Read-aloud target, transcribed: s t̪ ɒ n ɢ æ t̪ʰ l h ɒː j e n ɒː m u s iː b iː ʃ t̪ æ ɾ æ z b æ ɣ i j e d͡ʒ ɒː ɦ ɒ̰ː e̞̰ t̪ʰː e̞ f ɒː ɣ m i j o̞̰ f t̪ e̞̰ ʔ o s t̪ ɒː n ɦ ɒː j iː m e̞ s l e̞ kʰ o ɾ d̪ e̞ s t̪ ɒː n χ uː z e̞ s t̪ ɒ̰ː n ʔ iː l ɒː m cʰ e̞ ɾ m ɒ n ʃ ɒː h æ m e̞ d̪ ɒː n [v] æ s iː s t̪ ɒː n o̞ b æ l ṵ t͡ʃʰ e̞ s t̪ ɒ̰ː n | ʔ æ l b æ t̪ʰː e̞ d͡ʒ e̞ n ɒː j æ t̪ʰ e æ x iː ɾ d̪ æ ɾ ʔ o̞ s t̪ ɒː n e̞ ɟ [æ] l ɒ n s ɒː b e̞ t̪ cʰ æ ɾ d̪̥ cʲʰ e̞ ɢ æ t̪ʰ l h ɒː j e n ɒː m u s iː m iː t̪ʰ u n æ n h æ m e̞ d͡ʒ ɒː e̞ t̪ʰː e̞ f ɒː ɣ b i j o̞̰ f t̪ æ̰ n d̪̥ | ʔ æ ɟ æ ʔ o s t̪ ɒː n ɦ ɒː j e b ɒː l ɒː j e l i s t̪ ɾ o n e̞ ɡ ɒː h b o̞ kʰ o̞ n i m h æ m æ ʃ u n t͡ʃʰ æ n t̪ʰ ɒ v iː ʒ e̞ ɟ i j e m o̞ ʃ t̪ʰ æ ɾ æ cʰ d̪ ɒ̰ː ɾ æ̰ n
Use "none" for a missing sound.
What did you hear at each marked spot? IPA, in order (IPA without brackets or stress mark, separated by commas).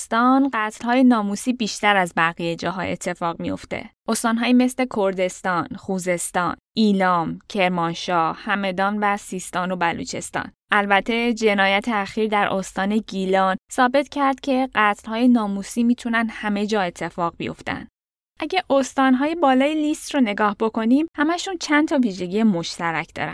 v, i